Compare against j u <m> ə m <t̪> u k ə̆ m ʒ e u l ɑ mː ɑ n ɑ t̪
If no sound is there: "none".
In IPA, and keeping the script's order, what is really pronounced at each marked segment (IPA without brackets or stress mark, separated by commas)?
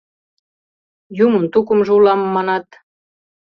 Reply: m, t̪